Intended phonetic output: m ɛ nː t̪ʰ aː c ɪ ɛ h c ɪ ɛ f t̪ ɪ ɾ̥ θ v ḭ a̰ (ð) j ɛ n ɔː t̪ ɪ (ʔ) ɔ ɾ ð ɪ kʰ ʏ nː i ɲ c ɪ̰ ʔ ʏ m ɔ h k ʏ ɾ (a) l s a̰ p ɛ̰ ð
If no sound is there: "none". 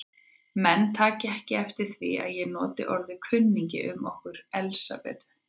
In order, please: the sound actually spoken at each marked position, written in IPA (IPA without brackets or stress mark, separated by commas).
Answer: ð, ʔ, ɛ